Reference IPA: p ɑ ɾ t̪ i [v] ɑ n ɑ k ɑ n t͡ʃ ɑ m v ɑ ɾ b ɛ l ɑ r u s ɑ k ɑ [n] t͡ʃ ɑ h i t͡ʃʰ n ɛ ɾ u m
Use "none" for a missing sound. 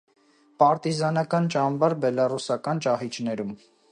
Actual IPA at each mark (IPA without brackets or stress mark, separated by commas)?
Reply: z, n